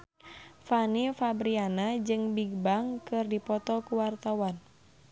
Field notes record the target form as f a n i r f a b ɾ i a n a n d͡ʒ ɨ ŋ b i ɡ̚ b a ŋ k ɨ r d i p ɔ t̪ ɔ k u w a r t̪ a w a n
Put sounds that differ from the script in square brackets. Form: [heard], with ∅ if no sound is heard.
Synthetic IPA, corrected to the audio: f a n i [∅] f a b ɾ i a n a [∅] d͡ʒ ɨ ŋ b i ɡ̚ b a ŋ k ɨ r d i p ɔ t̪ ɔ k u w a r t̪ a w a n